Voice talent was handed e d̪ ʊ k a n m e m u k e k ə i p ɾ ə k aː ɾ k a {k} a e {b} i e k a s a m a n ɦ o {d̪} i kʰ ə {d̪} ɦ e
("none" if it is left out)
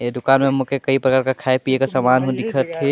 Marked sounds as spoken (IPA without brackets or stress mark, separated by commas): kʰ, p, d̪, t̪